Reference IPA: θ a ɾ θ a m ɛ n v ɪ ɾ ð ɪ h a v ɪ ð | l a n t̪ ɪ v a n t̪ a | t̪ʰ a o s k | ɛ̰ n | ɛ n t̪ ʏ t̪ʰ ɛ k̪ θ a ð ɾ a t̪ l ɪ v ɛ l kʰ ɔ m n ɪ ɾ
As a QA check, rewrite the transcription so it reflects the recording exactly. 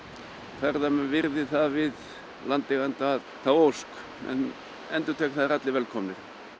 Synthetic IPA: θ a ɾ ð a m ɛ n v ɪ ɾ ð ɪ θ a v ɪ ð | l a n t̪ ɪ ɣ a n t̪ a | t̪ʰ a o s k | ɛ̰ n | ɛ n t̪ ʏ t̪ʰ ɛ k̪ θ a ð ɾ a t̪ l ɪ v ɛ l kʰ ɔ m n ɪ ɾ